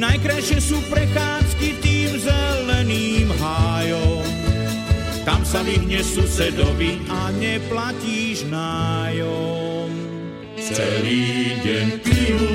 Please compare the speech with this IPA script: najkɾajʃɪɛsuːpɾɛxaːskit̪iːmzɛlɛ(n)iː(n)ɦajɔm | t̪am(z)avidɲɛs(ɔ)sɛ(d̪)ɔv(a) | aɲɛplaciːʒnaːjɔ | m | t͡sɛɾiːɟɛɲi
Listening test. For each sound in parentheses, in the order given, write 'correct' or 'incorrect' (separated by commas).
correct, incorrect, incorrect, incorrect, correct, incorrect